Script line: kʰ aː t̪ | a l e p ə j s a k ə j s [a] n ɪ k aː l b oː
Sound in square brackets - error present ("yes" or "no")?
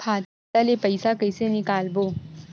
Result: yes